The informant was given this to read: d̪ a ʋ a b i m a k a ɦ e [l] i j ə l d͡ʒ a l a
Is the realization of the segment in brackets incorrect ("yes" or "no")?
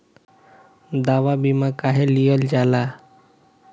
no